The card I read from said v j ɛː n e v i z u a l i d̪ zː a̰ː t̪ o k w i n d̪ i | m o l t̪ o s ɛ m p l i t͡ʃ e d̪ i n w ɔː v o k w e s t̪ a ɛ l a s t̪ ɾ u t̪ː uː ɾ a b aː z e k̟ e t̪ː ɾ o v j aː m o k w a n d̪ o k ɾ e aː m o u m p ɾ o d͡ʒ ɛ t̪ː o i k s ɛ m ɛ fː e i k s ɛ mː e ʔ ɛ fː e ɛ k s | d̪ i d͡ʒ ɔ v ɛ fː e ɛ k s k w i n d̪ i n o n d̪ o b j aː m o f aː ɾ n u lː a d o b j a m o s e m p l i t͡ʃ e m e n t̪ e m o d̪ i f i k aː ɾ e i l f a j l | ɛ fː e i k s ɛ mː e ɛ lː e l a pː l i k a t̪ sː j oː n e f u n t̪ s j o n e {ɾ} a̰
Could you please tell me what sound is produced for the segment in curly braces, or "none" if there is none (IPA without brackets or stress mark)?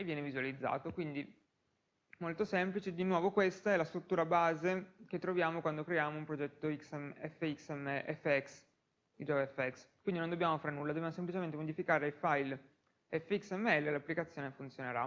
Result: ɾ